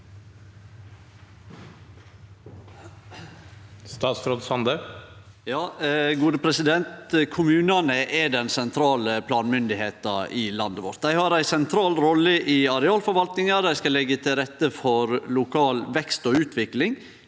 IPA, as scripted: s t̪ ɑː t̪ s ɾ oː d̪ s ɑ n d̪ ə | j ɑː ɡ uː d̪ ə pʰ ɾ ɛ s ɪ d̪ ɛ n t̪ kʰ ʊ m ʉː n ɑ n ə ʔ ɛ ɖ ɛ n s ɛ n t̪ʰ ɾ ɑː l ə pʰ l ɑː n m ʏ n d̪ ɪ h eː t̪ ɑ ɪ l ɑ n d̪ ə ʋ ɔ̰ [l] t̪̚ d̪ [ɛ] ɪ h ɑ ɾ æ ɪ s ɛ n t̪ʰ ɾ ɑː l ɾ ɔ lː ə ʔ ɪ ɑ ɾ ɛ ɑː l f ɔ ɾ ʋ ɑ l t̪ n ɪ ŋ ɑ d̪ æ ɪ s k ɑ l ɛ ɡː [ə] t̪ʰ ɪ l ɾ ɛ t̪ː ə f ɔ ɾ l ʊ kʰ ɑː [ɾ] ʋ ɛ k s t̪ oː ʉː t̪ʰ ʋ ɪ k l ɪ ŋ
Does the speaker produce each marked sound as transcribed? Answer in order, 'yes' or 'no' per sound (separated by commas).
no, no, yes, no